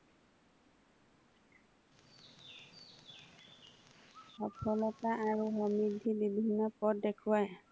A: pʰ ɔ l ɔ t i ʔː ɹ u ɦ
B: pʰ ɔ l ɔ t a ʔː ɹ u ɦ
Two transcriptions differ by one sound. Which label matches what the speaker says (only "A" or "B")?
B